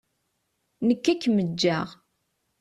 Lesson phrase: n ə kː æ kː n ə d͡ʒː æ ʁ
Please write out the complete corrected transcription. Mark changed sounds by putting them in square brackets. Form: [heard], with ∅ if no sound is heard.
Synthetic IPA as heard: n ə kː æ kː [m] ə d͡ʒː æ ʁ

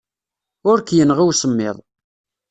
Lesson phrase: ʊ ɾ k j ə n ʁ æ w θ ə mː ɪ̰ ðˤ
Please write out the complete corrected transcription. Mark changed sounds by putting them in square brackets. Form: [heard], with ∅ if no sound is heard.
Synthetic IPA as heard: ʊ ɾ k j ə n ʁ [i] w [s] ə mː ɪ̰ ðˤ

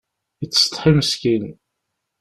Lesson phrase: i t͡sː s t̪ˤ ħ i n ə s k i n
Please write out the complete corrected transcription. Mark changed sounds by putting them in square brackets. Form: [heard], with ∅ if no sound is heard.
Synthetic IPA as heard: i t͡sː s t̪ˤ ħ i [m] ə s k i n

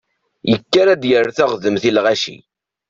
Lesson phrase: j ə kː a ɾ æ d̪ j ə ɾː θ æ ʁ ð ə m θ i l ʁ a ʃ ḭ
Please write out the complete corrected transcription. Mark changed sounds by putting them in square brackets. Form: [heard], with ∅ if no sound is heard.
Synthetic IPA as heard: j ə kː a ɾ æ d̪ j ə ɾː θ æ ʁ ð ə m θ i l ʁ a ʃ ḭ

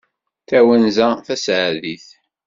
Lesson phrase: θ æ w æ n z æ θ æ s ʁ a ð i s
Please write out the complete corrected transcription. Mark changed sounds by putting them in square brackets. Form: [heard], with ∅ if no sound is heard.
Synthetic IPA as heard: θ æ w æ n z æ θ æ s [ʕ] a ð i [θ]

